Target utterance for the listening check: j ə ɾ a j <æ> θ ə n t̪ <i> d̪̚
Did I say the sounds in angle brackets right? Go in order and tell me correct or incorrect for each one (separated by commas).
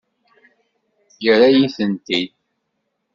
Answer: incorrect, correct